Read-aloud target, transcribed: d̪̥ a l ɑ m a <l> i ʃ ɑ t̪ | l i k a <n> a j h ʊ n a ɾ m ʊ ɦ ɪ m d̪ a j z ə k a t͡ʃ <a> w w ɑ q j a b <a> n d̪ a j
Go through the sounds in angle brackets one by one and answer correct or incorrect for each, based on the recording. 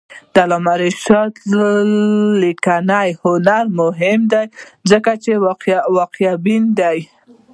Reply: incorrect: ɾ, correct, incorrect: e, incorrect: i

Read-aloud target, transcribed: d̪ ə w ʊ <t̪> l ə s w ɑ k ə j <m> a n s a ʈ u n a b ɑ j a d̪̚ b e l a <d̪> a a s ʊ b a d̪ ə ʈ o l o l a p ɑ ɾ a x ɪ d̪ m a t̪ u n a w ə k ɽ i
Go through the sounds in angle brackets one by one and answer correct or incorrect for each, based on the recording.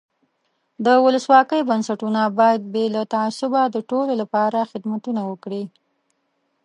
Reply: incorrect: none, incorrect: b, incorrect: t̪

